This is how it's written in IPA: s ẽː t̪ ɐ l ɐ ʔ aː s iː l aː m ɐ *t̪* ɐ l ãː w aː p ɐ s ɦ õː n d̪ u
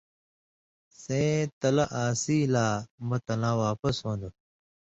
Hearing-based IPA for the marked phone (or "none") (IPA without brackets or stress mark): t̪